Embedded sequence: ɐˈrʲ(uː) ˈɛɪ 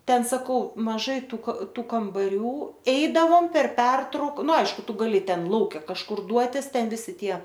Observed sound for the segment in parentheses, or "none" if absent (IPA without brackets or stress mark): uː